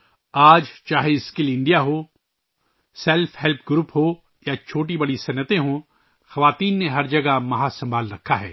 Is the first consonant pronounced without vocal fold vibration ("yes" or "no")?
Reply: no